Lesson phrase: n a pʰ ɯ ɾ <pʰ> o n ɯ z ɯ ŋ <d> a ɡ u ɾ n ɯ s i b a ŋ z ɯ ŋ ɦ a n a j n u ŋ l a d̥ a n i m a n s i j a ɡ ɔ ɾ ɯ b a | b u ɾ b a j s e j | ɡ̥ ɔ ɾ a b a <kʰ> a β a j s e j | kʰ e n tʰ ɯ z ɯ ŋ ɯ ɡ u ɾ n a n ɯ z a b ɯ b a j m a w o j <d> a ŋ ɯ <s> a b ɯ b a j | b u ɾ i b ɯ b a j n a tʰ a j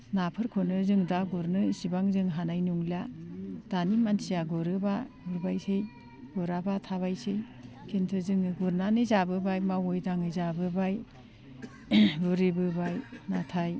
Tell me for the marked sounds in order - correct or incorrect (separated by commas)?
incorrect, correct, incorrect, correct, incorrect